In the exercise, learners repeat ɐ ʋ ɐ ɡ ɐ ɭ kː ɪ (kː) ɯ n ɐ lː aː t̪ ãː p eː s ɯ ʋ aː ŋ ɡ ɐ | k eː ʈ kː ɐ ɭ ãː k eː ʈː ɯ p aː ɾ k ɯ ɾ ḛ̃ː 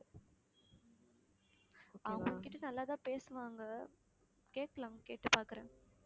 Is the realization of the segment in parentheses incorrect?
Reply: yes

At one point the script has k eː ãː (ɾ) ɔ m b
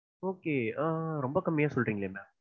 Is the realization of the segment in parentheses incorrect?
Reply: no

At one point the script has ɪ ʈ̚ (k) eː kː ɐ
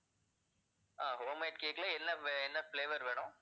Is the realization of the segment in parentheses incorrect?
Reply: no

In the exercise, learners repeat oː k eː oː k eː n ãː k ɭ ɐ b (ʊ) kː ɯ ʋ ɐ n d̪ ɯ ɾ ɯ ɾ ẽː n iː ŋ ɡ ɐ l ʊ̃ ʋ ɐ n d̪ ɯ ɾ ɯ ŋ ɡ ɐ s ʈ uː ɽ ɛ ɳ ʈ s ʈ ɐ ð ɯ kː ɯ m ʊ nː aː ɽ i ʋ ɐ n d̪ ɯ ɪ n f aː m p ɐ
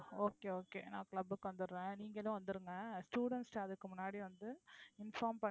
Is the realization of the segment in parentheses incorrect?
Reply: yes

